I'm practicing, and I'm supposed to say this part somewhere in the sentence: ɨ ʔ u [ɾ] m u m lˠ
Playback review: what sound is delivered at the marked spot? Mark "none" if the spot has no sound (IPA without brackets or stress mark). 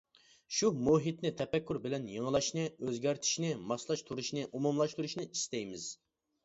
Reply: none